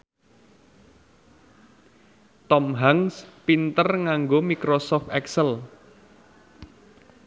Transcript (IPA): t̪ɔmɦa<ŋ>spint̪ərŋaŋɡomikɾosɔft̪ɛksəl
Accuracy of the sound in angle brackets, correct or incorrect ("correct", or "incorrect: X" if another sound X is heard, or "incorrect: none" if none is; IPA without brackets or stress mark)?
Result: correct